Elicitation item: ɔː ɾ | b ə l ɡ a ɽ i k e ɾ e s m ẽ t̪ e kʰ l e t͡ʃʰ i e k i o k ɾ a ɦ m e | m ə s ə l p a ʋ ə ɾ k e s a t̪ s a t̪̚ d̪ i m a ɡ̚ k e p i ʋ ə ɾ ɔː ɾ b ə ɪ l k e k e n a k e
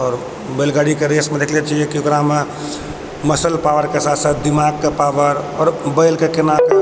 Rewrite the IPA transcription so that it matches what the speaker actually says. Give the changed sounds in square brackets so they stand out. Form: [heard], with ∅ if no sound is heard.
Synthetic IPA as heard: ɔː ɾ | b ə l ɡ a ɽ i k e ɾ e s m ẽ [d̪] e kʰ l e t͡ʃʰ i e k i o k ɾ a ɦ m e | m ə s ə l p a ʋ ə ɾ k e s a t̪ s a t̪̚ d̪ i m a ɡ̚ k e p [a] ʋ ə ɾ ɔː ɾ b ə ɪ l k e k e n a k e